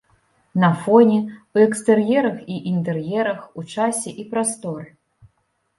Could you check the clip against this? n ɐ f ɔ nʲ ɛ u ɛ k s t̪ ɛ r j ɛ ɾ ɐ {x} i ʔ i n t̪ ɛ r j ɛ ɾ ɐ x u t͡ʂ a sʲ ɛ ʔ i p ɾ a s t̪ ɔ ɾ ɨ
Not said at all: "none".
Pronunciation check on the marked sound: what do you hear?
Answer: x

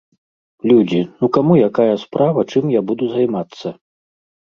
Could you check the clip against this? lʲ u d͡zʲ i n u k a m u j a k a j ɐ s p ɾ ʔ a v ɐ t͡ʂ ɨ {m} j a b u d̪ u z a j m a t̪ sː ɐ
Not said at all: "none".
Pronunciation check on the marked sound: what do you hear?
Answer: m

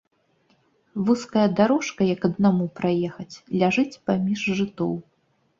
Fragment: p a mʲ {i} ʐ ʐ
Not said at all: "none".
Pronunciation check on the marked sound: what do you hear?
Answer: i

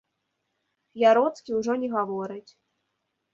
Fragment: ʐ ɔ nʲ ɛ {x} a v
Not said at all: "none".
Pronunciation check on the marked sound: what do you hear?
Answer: ɣ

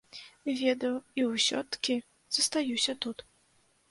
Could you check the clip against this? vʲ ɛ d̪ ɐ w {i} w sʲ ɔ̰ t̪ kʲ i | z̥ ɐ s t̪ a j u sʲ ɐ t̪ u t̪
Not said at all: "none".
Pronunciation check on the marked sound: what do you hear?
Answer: i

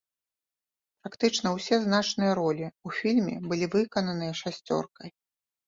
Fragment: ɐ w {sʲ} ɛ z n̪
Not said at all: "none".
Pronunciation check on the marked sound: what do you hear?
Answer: sʲ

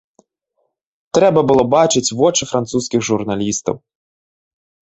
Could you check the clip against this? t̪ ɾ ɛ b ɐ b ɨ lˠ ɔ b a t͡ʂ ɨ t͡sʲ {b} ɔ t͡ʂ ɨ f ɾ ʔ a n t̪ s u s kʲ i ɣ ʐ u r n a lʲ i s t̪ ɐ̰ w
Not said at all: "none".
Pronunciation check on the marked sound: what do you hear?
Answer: v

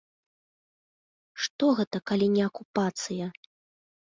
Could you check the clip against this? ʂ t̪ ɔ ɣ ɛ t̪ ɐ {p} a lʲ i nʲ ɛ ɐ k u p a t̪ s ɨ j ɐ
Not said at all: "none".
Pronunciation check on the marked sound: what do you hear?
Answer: k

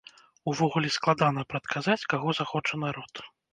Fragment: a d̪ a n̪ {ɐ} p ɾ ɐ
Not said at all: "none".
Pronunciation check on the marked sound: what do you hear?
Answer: ɐ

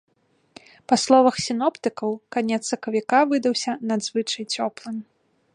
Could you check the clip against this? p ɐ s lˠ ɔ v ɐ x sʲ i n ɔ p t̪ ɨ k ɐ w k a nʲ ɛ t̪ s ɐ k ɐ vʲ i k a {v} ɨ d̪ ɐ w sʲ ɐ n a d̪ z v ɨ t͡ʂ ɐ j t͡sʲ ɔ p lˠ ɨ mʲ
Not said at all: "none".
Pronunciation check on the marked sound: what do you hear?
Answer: v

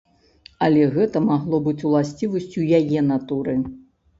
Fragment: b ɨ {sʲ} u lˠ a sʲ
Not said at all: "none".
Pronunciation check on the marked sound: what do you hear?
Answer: t͡sʲ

